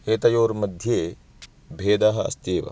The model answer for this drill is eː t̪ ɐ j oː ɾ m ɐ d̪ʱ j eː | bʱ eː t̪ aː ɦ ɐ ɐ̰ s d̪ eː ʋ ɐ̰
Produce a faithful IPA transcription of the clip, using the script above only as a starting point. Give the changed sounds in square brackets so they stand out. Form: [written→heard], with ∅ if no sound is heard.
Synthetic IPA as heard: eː t̪ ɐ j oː ɾ m ɐ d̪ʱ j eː | bʱ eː [t̪→d̪] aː ɦ ɐ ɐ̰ s [d̪→t̪] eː ʋ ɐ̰